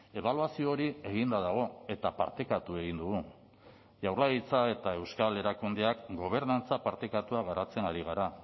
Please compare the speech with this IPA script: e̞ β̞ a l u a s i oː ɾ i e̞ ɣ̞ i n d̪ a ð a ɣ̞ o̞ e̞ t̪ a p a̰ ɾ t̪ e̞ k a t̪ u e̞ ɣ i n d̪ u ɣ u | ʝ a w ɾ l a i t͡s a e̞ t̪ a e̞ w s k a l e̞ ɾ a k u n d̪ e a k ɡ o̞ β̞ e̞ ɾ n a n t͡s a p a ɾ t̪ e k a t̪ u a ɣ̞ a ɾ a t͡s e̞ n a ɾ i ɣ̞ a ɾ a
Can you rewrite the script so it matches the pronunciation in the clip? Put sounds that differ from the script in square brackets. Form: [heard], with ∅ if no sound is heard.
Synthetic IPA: e̞ β̞ a l u a s i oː ɾ i e̞ ɣ̞ i n d̪ a ð a ɣ̞ o̞ e̞ t̪ a p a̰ ɾ t̪ e̞ k a t̪ u e̞ ɣ i n d̪ u ɣ u | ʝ a w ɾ l a i t͡s a e̞ t̪ a e̞ w s k a l e̞ ɾ a k u n d̪ e a k ɡ o̞ β̞ e̞ ɾ n a n t͡s a p a ɾ t̪ e k a t̪ u a ɣ̞ a ɾ a t͡s e̞ n a ɾ i ɣ̞ a ɾ a